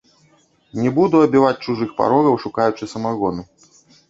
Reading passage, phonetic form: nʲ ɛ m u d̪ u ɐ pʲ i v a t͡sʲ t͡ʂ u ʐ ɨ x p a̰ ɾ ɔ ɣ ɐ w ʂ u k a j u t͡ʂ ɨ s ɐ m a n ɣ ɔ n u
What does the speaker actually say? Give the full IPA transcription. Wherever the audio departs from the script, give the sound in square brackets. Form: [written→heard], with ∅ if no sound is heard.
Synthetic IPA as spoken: nʲ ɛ [m→b] u d̪ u ɐ [pʲ→bʲ] i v a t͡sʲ t͡ʂ u ʐ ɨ x p a̰ ɾ ɔ ɣ ɐ w ʂ u k a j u t͡ʂ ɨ s ɐ m a [n→∅] ɣ ɔ n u